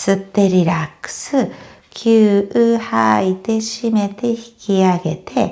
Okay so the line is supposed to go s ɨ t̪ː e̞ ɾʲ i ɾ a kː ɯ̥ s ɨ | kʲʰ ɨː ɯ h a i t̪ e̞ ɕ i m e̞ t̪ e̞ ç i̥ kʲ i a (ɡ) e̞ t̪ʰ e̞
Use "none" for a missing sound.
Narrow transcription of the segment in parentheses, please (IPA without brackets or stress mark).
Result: ɡ